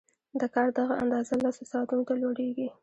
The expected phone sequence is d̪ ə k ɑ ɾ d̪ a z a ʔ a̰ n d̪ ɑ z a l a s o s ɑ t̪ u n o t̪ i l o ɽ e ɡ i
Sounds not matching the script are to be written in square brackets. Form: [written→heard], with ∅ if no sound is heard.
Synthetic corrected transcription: d̪ ə k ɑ ɾ d̪ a [z→ɣ] a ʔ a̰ n d̪ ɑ z a l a s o s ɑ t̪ u n o t̪ [i→a] l o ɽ e ɡ i